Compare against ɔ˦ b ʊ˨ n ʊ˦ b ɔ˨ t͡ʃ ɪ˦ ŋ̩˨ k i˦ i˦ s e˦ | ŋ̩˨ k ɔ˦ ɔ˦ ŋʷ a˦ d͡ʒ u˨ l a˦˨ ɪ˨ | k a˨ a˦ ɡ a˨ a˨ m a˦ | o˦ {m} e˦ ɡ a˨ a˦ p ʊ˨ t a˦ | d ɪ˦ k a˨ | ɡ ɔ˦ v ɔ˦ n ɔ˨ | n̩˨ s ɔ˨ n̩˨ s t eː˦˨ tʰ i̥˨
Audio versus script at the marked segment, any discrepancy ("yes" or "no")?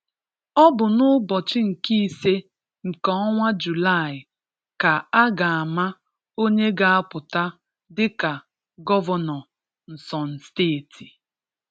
yes